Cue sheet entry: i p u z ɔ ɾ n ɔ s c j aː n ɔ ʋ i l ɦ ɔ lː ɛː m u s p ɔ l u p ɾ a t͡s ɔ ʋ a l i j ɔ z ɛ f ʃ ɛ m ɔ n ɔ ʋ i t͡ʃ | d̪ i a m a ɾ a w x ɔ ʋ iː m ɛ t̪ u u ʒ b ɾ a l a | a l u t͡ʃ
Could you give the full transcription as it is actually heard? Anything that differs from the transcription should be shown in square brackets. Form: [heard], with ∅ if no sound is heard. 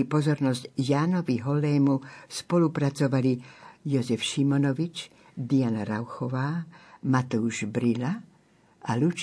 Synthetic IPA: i p [ɔ] z ɔ ɾ n ɔ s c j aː n ɔ ʋ i [∅] ɦ ɔ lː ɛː m u s p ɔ l u p ɾ a t͡s ɔ ʋ a l i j ɔ z ɛ f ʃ [i] m ɔ n ɔ ʋ i t͡ʃ | d̪ i a [n] a ɾ a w x ɔ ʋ [aː] m [a] t̪ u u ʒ b ɾ [i] l a | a l u t͡ʃ